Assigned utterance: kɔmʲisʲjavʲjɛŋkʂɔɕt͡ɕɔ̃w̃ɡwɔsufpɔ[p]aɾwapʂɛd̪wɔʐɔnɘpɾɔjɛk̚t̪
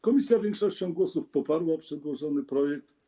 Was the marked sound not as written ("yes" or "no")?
no